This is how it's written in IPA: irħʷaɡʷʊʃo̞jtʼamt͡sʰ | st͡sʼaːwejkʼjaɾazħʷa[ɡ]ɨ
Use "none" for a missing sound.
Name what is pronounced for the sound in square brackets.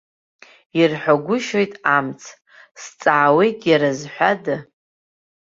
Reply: d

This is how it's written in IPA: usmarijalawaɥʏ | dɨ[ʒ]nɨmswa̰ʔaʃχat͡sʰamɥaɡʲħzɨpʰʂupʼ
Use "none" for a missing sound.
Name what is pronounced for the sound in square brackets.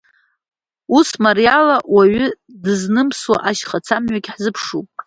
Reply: z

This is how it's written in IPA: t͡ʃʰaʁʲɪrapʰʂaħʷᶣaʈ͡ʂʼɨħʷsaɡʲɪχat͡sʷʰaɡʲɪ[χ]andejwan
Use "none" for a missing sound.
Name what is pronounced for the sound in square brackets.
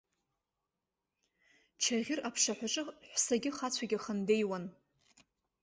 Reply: χ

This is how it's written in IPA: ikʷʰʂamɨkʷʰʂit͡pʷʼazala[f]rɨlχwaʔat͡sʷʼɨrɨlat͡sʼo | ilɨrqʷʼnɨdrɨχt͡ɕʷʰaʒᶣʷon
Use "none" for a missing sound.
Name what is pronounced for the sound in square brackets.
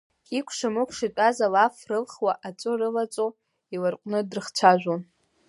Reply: f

